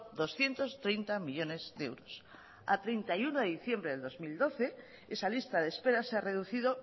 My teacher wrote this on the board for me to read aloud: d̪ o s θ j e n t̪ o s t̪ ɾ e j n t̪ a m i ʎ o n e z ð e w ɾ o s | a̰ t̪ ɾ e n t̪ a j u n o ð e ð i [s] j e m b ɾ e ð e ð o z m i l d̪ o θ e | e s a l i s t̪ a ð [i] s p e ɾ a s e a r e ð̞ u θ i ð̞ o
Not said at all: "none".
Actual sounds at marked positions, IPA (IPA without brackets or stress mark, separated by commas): θ, e